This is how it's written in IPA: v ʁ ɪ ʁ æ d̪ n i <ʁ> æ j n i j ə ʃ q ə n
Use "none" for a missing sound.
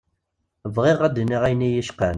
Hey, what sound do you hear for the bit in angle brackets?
ʁ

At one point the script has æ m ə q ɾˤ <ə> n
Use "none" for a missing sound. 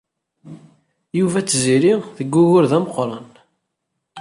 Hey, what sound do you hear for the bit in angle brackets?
ɑ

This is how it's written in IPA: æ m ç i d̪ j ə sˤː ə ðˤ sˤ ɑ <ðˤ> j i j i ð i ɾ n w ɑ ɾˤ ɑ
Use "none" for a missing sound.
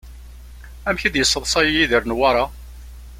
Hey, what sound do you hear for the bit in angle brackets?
none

